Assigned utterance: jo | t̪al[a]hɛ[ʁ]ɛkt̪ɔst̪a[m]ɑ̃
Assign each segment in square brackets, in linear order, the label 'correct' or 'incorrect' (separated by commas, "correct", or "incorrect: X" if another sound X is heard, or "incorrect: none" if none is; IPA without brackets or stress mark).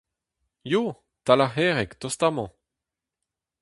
correct, correct, correct